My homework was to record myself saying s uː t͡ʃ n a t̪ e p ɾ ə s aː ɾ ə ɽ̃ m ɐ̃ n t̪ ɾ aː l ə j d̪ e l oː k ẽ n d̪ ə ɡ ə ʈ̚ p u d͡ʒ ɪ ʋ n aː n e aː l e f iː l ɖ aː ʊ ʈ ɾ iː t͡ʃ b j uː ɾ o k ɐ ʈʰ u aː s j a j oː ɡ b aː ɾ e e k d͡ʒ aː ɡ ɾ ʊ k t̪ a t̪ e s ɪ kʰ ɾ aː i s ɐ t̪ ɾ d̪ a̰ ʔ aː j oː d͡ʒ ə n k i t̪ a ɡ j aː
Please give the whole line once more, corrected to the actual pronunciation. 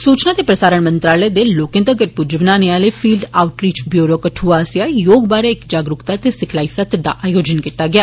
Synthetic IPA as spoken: s uː t͡ʃ n a t̪ e p ɾ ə s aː ɾ ə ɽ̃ m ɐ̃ n t̪ ɾ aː l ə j d̪ e l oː k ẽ n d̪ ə ɡ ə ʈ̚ p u d͡ʒ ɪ ʋ n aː n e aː l e f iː l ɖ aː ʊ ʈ ɾ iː t͡ʃ b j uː ɾ o k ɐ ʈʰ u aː s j a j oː ɡ b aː ɾ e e k d͡ʒ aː ɡ ɾ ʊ k t̪ a t̪ e s ɪ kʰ l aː i s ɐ t̪ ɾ d̪ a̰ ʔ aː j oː d͡ʒ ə n k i t̪ a ɡ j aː